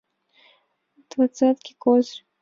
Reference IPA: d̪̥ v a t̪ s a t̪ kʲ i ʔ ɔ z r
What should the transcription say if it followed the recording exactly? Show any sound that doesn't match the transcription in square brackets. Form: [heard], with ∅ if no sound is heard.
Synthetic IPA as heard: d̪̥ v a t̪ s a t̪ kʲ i [k] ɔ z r